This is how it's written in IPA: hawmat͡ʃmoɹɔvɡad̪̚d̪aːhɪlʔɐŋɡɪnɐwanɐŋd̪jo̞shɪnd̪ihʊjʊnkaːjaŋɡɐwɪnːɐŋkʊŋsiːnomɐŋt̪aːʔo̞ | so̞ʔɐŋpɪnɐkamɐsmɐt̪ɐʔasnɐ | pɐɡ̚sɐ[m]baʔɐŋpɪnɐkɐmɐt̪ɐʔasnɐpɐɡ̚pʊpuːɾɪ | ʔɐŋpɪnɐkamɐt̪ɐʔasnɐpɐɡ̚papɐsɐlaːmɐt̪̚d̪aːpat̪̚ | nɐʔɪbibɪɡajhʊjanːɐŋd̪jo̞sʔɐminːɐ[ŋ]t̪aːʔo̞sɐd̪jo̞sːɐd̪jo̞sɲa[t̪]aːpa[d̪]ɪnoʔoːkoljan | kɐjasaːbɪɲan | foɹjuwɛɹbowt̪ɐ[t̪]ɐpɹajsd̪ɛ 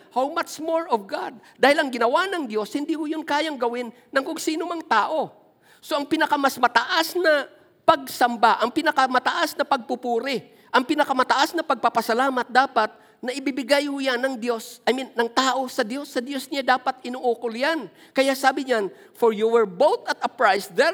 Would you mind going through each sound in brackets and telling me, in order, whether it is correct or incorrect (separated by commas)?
correct, correct, incorrect, incorrect, correct